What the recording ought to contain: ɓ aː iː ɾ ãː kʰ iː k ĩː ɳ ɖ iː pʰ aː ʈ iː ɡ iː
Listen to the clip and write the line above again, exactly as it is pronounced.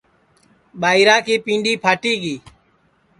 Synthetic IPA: ɓ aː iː ɾ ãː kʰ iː p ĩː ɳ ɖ iː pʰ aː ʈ iː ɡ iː